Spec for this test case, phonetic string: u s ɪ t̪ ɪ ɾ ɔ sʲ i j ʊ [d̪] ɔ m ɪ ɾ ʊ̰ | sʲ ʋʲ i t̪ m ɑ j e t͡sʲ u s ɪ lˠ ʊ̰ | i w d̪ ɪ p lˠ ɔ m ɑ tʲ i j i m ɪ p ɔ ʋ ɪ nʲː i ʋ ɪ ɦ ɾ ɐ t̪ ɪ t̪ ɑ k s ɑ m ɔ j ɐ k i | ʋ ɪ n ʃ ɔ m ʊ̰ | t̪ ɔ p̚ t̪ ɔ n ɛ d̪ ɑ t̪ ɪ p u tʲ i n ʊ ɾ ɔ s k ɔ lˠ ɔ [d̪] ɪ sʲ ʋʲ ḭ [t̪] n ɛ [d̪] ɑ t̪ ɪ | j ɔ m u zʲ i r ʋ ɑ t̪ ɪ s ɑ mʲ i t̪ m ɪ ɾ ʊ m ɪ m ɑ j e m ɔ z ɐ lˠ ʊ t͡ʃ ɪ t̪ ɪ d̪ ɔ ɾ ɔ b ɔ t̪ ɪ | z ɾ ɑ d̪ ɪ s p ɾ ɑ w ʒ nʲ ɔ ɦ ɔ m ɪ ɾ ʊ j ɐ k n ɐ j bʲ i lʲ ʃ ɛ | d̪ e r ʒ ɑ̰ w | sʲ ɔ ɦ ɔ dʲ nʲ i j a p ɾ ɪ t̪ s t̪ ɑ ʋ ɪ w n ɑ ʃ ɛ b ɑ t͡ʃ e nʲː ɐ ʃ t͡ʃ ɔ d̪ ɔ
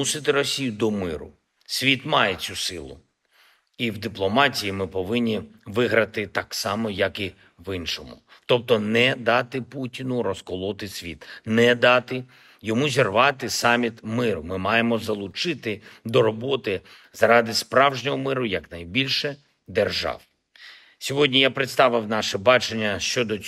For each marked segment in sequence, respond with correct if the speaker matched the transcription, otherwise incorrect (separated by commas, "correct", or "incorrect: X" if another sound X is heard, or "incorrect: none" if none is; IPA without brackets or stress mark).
correct, incorrect: t̪, correct, correct